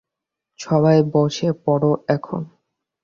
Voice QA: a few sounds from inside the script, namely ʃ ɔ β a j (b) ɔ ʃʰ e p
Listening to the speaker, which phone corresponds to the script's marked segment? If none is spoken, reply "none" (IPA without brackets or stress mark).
b